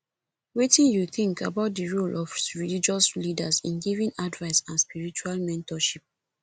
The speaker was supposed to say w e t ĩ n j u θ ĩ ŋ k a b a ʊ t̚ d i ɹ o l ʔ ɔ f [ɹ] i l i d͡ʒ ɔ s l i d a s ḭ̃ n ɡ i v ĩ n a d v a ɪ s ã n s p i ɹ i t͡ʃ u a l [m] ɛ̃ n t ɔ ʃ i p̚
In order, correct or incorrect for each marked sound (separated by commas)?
correct, correct